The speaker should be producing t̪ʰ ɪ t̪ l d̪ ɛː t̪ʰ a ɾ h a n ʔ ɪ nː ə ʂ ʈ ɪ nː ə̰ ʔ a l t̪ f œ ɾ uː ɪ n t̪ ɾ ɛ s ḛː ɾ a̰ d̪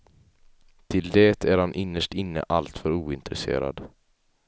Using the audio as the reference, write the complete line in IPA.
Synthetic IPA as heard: t̪ʰ ɪ l d̪ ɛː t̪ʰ æ ɾ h a n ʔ ɪ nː ə ʂ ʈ ɪ nː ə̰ ʔ a l t̪ f œ ɾ uː ɪ n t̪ ɾ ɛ s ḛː ɾ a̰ d̪